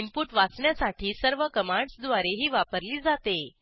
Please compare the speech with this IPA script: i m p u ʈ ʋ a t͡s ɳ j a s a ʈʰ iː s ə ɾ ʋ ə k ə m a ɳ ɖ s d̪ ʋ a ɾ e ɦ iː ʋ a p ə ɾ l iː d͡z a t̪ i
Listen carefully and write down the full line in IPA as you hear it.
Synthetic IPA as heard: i m p u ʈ ʋ a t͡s ɳ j a s a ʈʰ iː s ə ɾ ʋ ə k ə m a ɳ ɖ s d̪ ʋ a ɾ e ɦ iː ʋ a p ə ɾ l iː d͡z a t̪ e